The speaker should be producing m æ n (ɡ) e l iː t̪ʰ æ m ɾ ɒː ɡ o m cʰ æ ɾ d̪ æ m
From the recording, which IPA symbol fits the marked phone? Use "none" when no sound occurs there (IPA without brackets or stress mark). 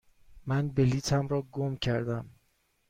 b